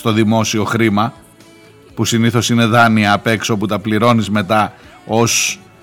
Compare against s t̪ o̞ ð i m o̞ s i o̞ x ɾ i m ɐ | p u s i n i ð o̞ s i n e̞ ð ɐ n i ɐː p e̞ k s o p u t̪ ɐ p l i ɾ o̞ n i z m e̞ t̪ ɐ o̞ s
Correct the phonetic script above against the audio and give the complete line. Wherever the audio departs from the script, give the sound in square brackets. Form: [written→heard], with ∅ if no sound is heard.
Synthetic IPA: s t̪ o̞ ð i m o̞ s i o̞ x ɾ i m ɐ | p u s i n i [ð→θ] o̞ s i n e̞ ð ɐ n i ɐː p e̞ k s o p u t̪ ɐ p l i ɾ o̞ n i z m e̞ t̪ ɐ o̞ s